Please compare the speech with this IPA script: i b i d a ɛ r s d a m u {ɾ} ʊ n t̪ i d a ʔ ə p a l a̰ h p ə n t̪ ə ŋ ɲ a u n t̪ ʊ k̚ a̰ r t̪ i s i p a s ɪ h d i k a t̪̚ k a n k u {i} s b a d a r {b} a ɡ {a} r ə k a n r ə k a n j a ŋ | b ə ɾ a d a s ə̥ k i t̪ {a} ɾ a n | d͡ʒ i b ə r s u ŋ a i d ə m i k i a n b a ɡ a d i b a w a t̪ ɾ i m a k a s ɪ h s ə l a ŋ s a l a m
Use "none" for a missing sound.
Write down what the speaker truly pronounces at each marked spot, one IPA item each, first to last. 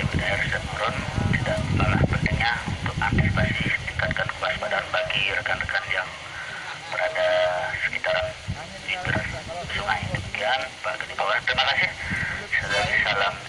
ɾ, a, b, i, a

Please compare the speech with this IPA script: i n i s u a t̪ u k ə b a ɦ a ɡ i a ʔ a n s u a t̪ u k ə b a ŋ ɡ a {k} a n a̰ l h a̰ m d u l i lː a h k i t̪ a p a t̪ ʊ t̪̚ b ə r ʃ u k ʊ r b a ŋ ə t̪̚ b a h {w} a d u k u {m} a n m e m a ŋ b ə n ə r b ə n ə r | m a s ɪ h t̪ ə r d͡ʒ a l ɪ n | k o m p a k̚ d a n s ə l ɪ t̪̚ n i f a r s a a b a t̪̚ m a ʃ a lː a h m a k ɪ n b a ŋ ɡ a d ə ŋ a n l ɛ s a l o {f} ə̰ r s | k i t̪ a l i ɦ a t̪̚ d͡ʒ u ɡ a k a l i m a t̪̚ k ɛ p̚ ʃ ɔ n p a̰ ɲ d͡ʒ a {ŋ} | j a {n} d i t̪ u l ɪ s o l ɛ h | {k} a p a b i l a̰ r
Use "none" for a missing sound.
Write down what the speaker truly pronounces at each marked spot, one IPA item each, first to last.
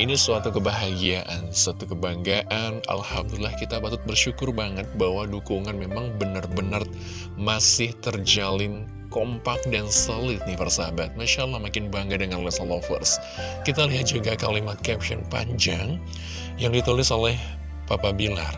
ʔ, w, ŋ, f, ŋ, ŋ, p

